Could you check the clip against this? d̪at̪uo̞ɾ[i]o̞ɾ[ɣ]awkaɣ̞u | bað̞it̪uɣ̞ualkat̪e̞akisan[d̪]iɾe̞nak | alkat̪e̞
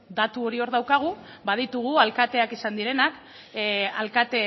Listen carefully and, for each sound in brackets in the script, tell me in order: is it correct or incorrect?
correct, incorrect: ð, correct

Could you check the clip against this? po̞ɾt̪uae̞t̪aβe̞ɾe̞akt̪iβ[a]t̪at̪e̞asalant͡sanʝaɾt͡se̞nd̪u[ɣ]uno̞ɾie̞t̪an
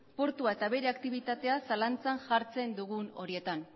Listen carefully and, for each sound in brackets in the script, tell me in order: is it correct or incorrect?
incorrect: i, correct

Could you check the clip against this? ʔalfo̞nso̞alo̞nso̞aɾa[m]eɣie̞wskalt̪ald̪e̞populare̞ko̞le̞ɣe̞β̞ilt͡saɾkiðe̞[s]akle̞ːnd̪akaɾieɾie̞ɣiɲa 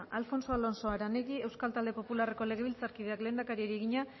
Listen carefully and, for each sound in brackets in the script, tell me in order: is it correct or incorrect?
incorrect: n, incorrect: none

